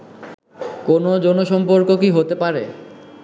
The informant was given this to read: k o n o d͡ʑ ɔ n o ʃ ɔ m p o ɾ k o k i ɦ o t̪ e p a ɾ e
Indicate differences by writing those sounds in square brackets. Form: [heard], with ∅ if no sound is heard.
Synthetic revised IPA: k o n o d͡ʑ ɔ n o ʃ ɔ m p o ɾ k o k i ɦ o t̪ e p a ɾ e